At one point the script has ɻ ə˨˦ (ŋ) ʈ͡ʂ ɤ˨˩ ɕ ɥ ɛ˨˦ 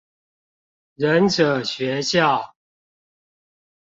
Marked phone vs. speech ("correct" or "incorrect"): incorrect